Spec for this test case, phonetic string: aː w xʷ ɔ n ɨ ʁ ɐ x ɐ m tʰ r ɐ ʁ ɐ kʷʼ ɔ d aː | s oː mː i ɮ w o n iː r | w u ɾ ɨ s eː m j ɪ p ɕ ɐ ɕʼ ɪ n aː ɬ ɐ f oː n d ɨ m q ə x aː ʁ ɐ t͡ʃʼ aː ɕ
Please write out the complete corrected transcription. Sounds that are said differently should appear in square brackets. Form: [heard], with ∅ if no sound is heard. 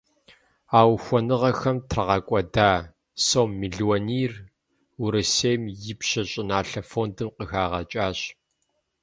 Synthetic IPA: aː w xʷ ɔ n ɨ ʁ ɐ x ɐ m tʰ r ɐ ʁ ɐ kʷʼ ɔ d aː | s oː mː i ɮ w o n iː r | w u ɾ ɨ s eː m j ɪ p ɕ ɐ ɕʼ ɪ n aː ɬ ɐ f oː n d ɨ m q ə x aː ʁ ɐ t͡ʃʼ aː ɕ